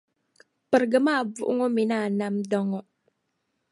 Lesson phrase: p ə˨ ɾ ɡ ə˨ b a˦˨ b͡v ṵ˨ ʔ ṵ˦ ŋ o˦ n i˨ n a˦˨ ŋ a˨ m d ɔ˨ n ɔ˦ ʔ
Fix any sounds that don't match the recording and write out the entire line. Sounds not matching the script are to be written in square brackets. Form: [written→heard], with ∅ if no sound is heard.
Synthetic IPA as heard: p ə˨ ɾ ɡ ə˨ [b→m] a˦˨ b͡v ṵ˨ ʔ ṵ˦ ŋ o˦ [n→m] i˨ n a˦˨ [ŋ→n] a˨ m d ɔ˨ [n→ŋ] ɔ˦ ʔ